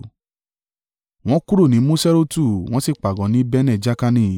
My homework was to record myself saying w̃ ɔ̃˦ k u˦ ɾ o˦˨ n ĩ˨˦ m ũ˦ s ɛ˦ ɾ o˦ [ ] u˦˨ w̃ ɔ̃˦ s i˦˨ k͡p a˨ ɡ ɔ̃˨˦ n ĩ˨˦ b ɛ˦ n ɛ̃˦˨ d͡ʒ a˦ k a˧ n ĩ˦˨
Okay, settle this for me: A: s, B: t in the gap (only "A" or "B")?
B